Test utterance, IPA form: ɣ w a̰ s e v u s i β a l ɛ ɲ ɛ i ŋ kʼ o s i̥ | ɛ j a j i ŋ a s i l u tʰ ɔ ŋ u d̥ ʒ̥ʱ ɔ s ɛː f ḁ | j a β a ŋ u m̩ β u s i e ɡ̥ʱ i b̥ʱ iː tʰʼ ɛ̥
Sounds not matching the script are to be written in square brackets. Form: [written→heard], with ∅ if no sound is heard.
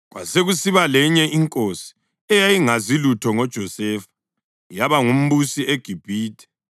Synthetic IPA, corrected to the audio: ɣ w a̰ s e [v→ɣ] u s i β a l ɛ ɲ ɛ i ŋ kʼ o s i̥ | ɛ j a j i ŋ a [s→z] i l u tʰ ɔ ŋ [u→ɔ] d̥ ʒ̥ʱ ɔ s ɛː f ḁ | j a β a ŋ u m̩ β u s i e ɡ̥ʱ i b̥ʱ iː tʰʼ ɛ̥

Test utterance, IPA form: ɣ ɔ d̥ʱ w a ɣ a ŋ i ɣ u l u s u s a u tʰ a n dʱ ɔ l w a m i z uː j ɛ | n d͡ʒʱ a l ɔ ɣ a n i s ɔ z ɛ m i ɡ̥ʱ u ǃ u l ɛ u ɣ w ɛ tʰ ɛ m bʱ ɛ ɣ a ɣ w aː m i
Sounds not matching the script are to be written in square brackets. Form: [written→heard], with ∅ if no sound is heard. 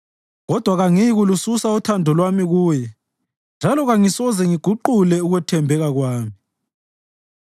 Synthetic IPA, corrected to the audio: ɣ ɔ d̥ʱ w a ɣ a ŋ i ɣ u l u s u s a u tʰ a n dʱ ɔ l w a m i [z→ɣ] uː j ɛ | n d͡ʒʱ a l ɔ ɣ a [n→ŋ] i s ɔ z ɛ [m→ŋ] i ɡ̥ʱ u ǃ u l ɛ u ɣ w ɛ tʰ ɛ m bʱ ɛ ɣ a ɣ w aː m i

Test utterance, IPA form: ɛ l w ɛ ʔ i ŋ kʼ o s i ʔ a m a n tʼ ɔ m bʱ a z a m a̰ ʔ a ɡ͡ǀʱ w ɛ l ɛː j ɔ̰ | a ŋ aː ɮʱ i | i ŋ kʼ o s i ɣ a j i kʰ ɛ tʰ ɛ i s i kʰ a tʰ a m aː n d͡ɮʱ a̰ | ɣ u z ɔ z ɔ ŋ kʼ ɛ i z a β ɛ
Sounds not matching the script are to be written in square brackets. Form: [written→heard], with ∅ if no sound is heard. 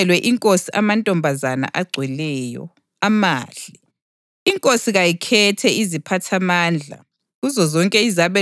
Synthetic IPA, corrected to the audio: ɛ l w ɛ ʔ i ŋ kʼ o s i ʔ a m a n tʼ ɔ m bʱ a z a [m→n] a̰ ʔ a ɡ͡ǀʱ w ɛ l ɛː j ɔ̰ | a [ŋ→m] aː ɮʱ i | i ŋ kʼ o s i ɣ a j i kʰ ɛ tʰ ɛ i [s→z] i [kʰ→pʰ] a tʰ a m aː n d͡ɮʱ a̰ | ɣ u z ɔ z ɔ ŋ kʼ ɛ i z a β ɛ

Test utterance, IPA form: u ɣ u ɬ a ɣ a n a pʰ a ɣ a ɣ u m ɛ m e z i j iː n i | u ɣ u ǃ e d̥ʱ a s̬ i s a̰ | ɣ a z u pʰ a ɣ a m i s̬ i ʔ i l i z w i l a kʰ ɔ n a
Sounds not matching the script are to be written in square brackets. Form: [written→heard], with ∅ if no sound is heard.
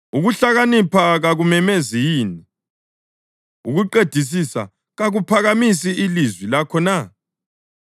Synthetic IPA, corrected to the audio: u ɣ u ɬ a ɣ a n [a→i] pʰ a ɣ a ɣ u m ɛ m e z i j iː n i | u ɣ u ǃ e d̥ʱ [a→i] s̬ i s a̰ | ɣ a [z→ɣ] u pʰ a ɣ a m i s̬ i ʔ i l i z w i l a kʰ ɔ n a

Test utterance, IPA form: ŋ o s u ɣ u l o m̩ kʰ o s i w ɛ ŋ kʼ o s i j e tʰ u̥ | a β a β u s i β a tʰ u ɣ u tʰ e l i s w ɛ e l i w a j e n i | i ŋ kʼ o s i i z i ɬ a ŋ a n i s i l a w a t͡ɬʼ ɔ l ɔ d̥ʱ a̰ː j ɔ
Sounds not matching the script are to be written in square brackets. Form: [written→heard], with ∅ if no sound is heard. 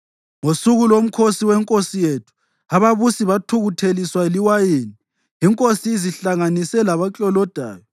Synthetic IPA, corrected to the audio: ŋ o s u ɣ u l o m̩ kʰ o s i w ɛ ŋ kʼ o s i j e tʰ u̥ | a β a β u s i β a tʰ u ɣ u tʰ e l i s w [ɛ→a] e l i w a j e n i | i ŋ kʼ o s i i z i ɬ a ŋ a n i s [i→ɛ] l a [w→β] a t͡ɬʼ ɔ l ɔ d̥ʱ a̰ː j ɔ

